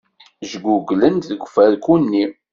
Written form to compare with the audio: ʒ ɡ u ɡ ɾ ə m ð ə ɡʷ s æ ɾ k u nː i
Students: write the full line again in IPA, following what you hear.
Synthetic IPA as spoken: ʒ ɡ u ɡ l ə n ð ə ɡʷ f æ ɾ k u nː i

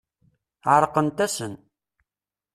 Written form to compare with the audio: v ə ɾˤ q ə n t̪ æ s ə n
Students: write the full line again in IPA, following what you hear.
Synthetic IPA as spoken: ʕ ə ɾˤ q ə n t̪ æ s ə n

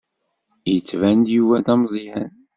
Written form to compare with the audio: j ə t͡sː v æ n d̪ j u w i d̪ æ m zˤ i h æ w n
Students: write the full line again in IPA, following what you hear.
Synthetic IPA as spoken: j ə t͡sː v æ n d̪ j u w æ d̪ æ m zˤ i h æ n

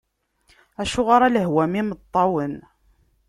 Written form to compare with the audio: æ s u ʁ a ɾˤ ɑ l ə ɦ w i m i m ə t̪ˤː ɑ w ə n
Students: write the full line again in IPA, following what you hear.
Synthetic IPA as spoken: æ ʃ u ʁ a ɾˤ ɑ l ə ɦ w æ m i m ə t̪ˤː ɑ w ə n

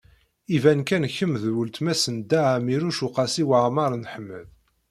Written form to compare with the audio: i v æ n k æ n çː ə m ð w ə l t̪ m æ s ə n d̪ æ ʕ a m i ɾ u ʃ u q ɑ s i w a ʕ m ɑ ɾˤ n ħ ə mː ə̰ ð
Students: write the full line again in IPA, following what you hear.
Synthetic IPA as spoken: i v æ n k æ n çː ə m ð w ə l t̪ m æ s ə n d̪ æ ʕ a m i ɾ u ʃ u q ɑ s i w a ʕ m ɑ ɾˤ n ħ ə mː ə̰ ð

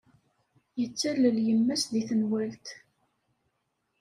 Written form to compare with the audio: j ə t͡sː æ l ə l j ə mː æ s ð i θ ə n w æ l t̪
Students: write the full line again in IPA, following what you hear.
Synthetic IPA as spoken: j ə t͡sː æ l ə l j ə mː æ s ð i θ ə n w æ l t̪

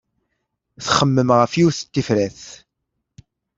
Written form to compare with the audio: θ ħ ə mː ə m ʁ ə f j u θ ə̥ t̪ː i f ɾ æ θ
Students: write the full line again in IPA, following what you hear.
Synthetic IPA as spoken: θ χ ə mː ə m ʁ ə f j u θ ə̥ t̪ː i f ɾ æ θ

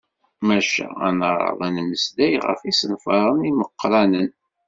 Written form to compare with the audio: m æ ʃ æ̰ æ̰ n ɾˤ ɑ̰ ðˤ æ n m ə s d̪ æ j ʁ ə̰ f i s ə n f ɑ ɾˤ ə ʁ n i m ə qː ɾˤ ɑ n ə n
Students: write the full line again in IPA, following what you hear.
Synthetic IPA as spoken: m æ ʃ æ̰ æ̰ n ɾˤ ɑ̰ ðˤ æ n m ə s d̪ æ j ʁ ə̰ f i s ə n f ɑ ɾˤ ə n i m ə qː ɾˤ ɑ n ə n

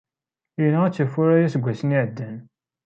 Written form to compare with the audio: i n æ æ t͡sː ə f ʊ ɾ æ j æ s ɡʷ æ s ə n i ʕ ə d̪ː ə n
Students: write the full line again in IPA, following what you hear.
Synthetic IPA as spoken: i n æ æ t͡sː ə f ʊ ɾ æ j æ s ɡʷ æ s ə n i ʕ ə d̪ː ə n

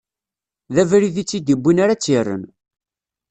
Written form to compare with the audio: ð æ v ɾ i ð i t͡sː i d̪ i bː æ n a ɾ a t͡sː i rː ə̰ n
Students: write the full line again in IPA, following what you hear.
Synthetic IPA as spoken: ð æ v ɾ i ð i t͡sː i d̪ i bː i n a ɾ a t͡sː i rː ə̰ n

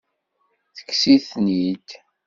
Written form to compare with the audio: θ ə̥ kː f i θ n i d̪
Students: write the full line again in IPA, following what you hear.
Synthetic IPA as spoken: θ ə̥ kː s i θ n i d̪

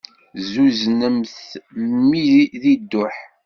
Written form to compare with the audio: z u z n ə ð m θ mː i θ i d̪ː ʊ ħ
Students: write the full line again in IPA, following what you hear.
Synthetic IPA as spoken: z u z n ə m θ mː i ð i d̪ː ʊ ħ

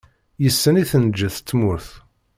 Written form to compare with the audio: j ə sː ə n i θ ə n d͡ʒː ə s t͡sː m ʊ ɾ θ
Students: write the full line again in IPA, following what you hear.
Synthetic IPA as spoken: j ə sː ə n i θ ə n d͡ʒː ə θ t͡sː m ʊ ɾ θ

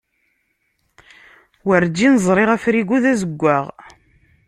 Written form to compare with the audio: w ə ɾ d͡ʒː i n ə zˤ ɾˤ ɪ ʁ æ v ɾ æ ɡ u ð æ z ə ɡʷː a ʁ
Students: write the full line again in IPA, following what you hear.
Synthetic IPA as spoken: w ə ɾ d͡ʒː i n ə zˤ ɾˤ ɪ ʁ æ f ɾ i ɡ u ð æ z ə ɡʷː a ʁ

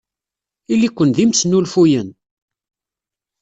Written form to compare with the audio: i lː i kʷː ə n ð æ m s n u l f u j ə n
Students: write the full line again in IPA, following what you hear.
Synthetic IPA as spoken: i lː i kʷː ə n ð i m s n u l f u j ə n

